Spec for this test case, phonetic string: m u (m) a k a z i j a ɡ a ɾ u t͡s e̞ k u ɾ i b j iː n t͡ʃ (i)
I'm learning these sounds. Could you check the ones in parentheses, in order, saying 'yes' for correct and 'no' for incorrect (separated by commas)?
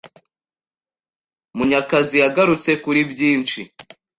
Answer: no, yes